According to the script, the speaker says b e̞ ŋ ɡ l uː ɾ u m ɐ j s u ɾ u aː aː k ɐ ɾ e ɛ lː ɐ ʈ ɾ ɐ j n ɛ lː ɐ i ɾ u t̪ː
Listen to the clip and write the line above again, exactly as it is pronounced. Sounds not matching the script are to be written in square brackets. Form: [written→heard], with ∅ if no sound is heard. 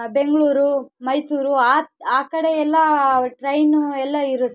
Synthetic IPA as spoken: b e̞ ŋ ɡ [l→ɭ] uː ɾ u m ɐ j s [u→uː] ɾ u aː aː k ɐ [ɾ→ɽ] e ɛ lː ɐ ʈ ɾ ɐ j n ɛ lː ɐ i ɾ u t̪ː

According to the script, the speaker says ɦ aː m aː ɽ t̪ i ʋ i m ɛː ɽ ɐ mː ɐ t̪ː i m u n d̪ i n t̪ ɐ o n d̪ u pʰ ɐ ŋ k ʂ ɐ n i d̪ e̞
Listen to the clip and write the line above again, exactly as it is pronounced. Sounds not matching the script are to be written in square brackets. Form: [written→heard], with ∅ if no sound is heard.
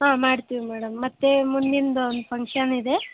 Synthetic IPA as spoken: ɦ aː m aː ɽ t̪ i ʋ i m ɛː ɽ ɐ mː ɐ t̪ː [i→e] m u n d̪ i n [t̪→d̪] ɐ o n d̪ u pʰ ɐ ŋ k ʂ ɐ n i d̪ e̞

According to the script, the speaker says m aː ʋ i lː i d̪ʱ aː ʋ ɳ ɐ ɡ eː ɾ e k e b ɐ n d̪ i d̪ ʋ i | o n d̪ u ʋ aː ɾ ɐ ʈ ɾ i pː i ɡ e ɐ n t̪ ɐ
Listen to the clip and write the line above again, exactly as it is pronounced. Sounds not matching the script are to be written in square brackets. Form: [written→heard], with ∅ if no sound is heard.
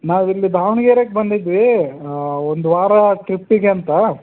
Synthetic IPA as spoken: [m→n] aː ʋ i lː i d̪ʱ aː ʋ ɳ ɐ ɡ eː ɾ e k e b ɐ n d̪ i d̪ ʋ i | o n d̪ u ʋ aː ɾ ɐ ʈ ɾ i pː i ɡ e ɐ n t̪ ɐ

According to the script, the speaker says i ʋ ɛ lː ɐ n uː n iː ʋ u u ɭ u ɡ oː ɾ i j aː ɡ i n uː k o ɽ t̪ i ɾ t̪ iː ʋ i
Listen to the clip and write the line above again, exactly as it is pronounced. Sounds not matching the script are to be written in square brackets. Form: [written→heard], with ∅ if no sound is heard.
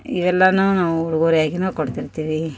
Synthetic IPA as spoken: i ʋ ɛ lː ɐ n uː n [iː→aː] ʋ u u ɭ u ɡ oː ɾ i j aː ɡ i n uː k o ɽ t̪ i ɾ t̪ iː ʋ i

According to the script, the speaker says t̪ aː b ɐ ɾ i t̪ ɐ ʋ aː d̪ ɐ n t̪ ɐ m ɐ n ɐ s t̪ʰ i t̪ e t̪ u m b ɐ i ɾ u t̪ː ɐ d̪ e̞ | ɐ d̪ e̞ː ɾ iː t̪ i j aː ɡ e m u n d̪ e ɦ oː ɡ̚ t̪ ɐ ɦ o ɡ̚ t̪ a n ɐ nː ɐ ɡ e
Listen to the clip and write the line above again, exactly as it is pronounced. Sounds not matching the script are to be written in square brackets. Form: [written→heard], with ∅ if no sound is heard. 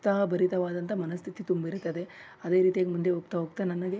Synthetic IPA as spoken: t̪ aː b ɐ ɾ i t̪ ɐ ʋ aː d̪ ɐ n t̪ ɐ m ɐ n ɐ s t̪ʰ i t̪ [e→i] t̪ u m b ɐ i ɾ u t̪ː ɐ d̪ e̞ | ɐ d̪ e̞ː ɾ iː t̪ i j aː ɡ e m u n d̪ e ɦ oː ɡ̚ t̪ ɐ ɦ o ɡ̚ t̪ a n ɐ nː ɐ ɡ e

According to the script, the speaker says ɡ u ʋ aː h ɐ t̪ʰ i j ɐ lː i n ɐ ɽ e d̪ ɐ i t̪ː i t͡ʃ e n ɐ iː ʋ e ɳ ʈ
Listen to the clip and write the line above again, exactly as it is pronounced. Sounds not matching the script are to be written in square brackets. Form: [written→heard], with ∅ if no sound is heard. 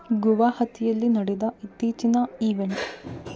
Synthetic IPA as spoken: ɡ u ʋ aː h ɐ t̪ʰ i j ɐ lː i n ɐ ɽ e d̪ ɐ i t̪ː [i→iː] t͡ʃ [e→i] n ɐ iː ʋ e ɳ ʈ

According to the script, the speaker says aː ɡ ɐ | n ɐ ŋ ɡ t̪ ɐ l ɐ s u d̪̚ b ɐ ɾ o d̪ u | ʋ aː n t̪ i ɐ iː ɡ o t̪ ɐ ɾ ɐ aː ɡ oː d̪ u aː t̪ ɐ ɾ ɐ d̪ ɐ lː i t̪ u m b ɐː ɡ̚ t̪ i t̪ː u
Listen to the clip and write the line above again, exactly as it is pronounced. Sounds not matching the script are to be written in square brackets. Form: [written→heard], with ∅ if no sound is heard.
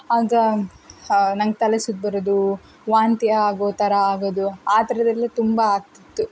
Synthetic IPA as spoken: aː ɡ ɐ | n ɐ ŋ ɡ t̪ ɐ l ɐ s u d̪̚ b ɐ ɾ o d̪ u | ʋ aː n t̪ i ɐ [iː→aː] ɡ o t̪ ɐ ɾ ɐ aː ɡ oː d̪ u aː t̪ ɐ ɾ ɐ d̪ ɐ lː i t̪ u m b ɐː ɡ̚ t̪ i t̪ː u

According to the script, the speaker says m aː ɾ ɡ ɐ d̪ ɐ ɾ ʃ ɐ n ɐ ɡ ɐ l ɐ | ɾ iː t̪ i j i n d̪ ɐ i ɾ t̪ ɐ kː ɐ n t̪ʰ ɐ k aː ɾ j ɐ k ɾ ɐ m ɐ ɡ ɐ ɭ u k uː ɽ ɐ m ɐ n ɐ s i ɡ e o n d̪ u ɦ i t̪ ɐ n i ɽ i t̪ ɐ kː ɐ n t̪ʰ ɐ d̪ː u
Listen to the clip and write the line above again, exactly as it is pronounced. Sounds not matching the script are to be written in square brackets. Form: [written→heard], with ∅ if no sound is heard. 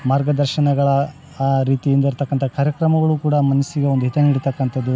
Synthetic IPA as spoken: m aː ɾ ɡ ɐ d̪ ɐ ɾ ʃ ɐ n ɐ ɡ ɐ [l→ɭ] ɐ | ɾ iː t̪ i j i n d̪ ɐ i ɾ t̪ ɐ kː ɐ n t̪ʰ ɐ k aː ɾ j ɐ k ɾ ɐ m ɐ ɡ ɐ ɭ u k uː ɽ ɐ m ɐ n ɐ s i ɡ e o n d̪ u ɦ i t̪ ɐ n i ɽ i t̪ ɐ kː ɐ n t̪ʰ ɐ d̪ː u

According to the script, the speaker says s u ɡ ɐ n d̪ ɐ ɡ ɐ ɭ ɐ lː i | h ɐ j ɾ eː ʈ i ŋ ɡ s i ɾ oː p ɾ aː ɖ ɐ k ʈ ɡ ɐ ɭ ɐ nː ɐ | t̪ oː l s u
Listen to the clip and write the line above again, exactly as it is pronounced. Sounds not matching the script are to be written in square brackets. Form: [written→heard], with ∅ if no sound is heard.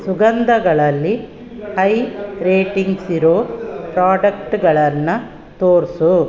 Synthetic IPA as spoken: s u ɡ ɐ n d̪ ɐ ɡ ɐ ɭ ɐ lː i | h ɐ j ɾ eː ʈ i ŋ ɡ s i ɾ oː p ɾ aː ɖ ɐ k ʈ ɡ ɐ ɭ ɐ nː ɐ | t̪ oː [l→ɾ] s u

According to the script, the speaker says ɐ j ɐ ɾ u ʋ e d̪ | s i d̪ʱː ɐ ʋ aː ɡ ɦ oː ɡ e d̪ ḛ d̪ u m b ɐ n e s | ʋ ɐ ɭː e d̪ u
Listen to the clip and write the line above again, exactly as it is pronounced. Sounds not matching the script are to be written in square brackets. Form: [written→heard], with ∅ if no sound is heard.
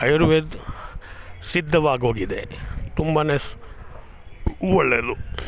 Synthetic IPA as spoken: ɐ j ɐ ɾ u ʋ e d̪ | s i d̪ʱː ɐ ʋ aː ɡ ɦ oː ɡ [e→i] d̪ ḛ [d̪→t̪] u m b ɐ n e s | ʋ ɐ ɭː e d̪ u

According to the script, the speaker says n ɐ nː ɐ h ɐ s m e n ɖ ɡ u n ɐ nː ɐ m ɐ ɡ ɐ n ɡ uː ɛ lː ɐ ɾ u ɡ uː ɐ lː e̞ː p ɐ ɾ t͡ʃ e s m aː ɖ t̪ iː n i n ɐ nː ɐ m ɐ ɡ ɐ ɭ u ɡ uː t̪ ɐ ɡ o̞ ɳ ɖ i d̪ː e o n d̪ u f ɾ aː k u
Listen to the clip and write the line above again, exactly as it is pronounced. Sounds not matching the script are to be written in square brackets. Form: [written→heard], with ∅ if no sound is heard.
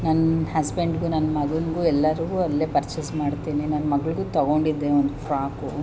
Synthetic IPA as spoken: n ɐ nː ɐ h ɐ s [m→b] e [n→ɳ] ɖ ɡ u n ɐ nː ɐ m ɐ ɡ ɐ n ɡ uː ɛ lː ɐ ɾ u ɡ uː ɐ lː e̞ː p ɐ ɾ t͡ʃ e s m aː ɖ t̪ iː n i n ɐ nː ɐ m ɐ ɡ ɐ ɭ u ɡ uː t̪ ɐ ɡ o̞ ɳ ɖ i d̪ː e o n d̪ u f ɾ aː k u

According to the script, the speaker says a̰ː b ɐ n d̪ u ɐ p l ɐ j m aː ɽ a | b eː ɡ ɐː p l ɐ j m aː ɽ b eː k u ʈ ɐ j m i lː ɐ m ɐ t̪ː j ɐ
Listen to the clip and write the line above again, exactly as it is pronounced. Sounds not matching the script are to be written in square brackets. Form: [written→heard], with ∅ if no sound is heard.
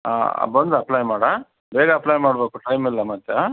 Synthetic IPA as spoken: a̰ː b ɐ n d̪ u ɐ p l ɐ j m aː ɽ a | b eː ɡ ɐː p l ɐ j m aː ɽ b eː k u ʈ ɐ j m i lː ɐ m ɐ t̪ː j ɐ

